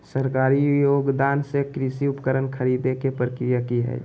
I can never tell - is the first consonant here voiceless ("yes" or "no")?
yes